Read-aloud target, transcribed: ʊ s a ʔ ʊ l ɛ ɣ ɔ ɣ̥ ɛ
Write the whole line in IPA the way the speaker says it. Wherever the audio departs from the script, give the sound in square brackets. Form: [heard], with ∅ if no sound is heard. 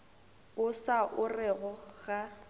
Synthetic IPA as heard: ʊ s a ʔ ʊ [r] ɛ ɣ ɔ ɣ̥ [a]